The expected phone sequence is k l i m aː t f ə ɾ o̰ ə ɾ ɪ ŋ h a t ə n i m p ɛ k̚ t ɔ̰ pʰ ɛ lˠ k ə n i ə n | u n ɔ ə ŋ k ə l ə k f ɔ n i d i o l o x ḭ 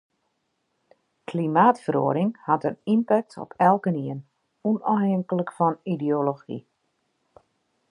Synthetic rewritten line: k l i m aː t f ə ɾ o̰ ə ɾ ɪ ŋ h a t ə n i m p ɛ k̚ t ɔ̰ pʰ ɛ lˠ k ə n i ə n | u n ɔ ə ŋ k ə l ə k f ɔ n i d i o l o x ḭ